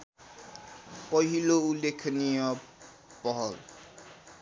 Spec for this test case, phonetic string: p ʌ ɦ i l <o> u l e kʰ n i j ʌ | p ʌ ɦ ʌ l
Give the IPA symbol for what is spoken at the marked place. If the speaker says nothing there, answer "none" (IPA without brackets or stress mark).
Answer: o